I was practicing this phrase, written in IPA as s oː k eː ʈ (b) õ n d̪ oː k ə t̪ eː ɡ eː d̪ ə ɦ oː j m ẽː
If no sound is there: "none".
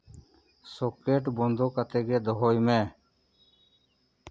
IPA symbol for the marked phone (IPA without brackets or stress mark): b